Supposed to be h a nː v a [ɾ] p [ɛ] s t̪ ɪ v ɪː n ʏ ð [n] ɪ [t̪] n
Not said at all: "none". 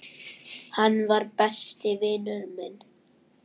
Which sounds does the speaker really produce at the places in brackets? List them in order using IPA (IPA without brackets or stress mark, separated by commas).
ɾ, ɛ, m, none